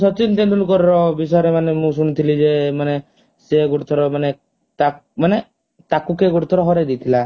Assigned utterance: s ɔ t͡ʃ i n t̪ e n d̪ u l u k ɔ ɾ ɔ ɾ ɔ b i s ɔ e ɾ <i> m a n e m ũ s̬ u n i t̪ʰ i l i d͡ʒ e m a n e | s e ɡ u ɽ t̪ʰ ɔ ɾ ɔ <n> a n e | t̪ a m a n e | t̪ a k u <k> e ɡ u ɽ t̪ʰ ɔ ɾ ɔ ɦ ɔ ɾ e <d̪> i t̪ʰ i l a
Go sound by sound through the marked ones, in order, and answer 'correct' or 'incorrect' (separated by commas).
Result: incorrect, incorrect, correct, correct